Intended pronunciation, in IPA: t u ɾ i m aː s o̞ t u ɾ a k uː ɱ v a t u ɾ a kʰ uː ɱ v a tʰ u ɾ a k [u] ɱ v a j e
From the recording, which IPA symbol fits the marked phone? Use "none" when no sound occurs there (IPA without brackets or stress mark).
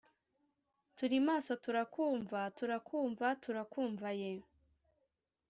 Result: uː